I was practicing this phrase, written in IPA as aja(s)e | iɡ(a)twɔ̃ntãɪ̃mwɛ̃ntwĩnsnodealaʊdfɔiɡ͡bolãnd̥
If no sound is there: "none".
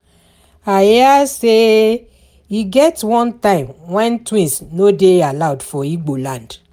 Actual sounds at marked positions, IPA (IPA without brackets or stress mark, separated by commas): s, ɛ